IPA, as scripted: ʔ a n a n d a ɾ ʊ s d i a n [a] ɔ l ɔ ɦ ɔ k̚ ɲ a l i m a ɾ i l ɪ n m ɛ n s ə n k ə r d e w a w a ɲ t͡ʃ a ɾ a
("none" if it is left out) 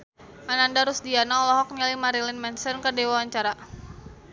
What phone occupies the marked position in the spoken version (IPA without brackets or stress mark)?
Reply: a